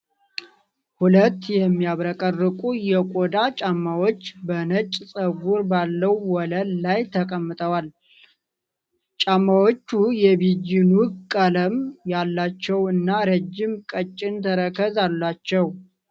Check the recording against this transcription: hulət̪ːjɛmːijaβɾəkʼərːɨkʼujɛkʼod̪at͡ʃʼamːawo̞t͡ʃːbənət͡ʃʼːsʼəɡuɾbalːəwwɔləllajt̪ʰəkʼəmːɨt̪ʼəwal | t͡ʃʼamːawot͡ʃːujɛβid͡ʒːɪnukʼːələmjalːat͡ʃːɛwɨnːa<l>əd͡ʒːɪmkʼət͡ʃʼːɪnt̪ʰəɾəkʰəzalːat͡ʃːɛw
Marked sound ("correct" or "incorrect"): incorrect